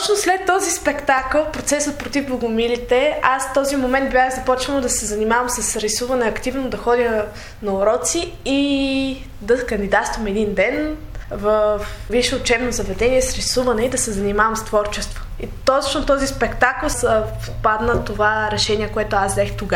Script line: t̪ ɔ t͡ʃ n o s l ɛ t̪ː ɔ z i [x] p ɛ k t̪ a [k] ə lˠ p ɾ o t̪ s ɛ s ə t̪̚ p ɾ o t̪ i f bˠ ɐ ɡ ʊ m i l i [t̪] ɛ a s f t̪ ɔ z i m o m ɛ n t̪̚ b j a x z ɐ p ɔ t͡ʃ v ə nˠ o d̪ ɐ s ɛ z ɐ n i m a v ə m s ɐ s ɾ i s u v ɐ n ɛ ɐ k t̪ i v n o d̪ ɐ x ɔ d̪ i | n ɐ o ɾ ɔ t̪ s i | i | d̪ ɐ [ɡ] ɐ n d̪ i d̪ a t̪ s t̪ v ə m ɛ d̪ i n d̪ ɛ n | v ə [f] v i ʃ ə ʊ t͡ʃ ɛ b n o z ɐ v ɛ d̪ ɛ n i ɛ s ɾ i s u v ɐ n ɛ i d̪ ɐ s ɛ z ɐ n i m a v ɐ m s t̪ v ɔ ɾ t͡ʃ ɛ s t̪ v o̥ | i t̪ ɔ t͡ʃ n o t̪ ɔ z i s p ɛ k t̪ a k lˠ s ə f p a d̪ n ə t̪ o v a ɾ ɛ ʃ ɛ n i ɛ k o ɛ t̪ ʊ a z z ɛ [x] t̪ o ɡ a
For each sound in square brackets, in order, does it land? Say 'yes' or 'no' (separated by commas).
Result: no, yes, yes, no, yes, yes